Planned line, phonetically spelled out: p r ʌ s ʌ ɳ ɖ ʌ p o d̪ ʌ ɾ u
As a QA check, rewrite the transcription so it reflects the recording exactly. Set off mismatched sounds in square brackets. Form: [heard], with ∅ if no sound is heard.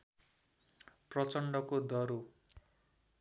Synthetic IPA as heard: p r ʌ [t͡s] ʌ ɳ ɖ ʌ [k] o d̪ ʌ ɾ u

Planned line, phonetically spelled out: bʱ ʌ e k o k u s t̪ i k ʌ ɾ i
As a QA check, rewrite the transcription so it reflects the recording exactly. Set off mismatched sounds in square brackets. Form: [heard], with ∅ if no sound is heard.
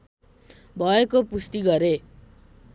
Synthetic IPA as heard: bʱ ʌ e k o [p] u s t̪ i [ɡ] ʌ ɾ [e]

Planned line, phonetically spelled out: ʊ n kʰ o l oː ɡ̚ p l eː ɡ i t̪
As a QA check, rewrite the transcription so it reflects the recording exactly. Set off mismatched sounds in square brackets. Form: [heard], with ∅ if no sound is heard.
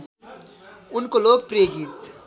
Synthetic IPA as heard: ʊ n [k] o l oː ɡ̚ p [ɾ] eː ɡ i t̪

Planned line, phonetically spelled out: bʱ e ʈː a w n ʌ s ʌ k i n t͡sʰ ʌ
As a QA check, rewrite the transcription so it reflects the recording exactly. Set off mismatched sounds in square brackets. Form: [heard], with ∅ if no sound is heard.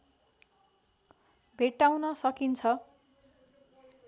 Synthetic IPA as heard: bʱ e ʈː a w n ʌ s ʌ k i n t͡sʰ ʌ

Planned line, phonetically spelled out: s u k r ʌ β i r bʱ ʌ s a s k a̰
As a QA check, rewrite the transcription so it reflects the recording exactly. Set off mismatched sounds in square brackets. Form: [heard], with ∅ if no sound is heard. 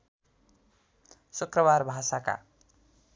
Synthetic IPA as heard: s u k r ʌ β [a] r bʱ [a] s a [∅] k a̰

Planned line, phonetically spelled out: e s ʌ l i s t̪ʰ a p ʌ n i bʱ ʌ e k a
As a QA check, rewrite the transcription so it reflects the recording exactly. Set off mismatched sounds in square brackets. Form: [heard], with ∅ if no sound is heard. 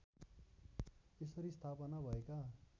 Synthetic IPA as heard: e s ʌ [ɾ] i s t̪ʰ a p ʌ n [a] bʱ ʌ e k a

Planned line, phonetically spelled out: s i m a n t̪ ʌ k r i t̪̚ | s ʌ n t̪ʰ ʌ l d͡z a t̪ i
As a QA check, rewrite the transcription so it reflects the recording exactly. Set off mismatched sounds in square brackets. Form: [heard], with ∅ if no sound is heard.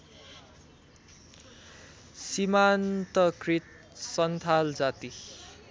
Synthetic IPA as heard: s i m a n t̪ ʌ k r i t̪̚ | s ʌ n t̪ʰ [a] l d͡z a t̪ i

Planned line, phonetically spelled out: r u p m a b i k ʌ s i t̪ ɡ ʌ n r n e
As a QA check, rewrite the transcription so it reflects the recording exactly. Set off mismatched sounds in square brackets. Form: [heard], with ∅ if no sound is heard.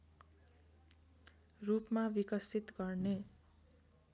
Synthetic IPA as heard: r u p m a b i k ʌ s i t̪ ɡ ʌ [∅] r n e

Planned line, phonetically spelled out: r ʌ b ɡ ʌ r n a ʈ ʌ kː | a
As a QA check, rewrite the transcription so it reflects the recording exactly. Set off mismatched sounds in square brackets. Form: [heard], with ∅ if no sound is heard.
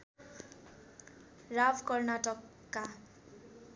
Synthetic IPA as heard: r [a] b [k] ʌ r n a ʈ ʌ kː | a

